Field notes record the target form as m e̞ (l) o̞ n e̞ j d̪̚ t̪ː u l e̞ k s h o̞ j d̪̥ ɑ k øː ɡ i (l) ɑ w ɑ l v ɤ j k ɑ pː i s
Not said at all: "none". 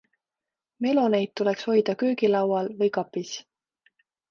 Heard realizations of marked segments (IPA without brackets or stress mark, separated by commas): l, l